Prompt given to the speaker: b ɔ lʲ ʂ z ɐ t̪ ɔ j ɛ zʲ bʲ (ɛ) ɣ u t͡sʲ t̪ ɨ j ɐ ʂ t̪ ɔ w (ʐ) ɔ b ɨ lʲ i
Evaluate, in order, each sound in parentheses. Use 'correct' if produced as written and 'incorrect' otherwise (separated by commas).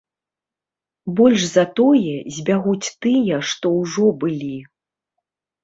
incorrect, correct